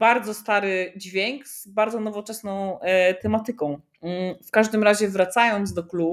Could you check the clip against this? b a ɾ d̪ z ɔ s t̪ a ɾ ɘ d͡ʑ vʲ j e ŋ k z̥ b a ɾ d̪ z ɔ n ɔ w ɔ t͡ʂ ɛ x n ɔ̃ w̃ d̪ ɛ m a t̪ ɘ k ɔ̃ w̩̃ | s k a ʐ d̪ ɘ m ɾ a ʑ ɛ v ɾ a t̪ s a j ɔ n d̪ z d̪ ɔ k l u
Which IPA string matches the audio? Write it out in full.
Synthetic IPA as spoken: b a ɾ d̪ z ɔ s t̪ a ɾ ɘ d͡ʑ vʲ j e ŋ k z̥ b a ɾ d̪ z ɔ n ɔ v ɔ t͡ʂ ɛ s n ɔ̃ w̃ t̪ ɛ m a t̪ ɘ k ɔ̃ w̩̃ | f k a ʐ d̪ ɘ m ɾ a ʑ ɛ v ɾ a t̪ s a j ɔ n d̪ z d̪ ɔ k l u